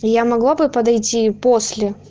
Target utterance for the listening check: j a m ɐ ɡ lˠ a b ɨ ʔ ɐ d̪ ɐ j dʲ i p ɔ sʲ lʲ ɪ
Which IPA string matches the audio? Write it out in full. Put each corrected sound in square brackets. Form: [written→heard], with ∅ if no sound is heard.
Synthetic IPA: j a m ɐ ɡ lˠ a b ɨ [ʔ→p] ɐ d̪ ɐ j [dʲ→tʲ] i p [ɔ→o] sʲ lʲ ɪ

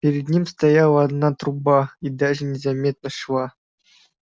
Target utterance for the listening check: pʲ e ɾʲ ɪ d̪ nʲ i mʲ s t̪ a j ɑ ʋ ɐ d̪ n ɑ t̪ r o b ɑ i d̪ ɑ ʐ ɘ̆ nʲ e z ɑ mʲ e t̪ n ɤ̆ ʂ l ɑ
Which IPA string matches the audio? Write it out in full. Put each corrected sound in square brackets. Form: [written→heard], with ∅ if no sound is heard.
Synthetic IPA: pʲ e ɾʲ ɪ d̪ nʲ i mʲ s t̪ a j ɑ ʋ [ɐ→ɑ] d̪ n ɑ t̪ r [o→u] b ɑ i d̪ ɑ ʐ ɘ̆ nʲ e z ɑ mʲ e t̪ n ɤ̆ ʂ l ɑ

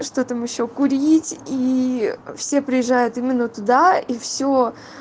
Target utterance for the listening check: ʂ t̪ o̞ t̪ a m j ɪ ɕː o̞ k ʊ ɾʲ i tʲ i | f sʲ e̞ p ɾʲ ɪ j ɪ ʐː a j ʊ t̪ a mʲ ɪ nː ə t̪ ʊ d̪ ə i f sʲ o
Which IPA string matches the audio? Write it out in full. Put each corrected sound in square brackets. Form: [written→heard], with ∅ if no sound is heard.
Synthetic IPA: ʂ t̪ o̞ t̪ a m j ɪ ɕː o̞ k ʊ ɾʲ i tʲ i | f sʲ e̞ p ɾʲ ɪ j ɪ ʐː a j ʊ t̪ [a→i] mʲ ɪ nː ə t̪ ʊ d̪ [ə→a] i f sʲ o

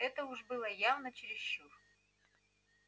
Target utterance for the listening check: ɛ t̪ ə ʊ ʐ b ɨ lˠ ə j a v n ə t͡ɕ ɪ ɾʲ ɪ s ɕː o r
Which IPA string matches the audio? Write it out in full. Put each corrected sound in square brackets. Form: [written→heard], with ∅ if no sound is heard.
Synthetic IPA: ɛ t̪ ə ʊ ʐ b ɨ lˠ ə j a v n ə t͡ɕ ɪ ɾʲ ɪ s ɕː [o→u] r

